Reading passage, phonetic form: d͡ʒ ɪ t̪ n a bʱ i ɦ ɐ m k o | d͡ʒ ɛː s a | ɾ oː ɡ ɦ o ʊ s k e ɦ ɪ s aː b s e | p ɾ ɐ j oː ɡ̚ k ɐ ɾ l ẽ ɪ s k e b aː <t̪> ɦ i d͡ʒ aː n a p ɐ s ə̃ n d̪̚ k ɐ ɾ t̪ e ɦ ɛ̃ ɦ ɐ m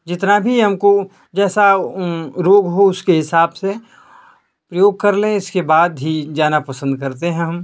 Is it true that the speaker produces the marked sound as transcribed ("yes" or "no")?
no